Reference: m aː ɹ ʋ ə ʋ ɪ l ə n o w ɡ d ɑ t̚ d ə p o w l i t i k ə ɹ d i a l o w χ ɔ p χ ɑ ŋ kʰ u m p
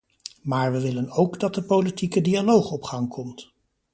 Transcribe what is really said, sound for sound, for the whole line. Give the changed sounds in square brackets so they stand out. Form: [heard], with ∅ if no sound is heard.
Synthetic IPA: m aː ɹ ʋ ə ʋ ɪ l ə n o w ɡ d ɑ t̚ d ə p o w l i t i k ə [∅] d i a l o w χ ɔ p χ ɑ ŋ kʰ [ɔ] m [t]